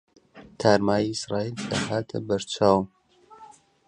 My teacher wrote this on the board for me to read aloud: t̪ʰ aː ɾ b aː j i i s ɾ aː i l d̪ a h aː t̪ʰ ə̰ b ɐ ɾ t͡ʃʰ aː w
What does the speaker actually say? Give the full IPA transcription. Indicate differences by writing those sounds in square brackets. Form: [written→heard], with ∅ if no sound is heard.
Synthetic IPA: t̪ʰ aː ɾ [b→m] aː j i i s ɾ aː i l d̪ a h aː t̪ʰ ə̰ b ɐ ɾ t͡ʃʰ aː w